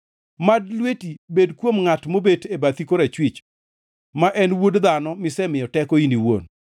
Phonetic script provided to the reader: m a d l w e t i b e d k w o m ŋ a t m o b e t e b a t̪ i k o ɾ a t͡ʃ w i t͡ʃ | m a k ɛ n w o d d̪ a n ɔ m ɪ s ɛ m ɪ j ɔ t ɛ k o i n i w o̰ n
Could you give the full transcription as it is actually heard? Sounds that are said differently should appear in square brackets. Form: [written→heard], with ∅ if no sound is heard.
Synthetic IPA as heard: m a d l w e t i b e d k w o m ŋ a t m o b e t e b a t̪ i k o ɾ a t͡ʃ w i t͡ʃ | m a [k→ʔ] ɛ n w o d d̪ a n ɔ m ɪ s ɛ m ɪ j ɔ t ɛ k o i n i w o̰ n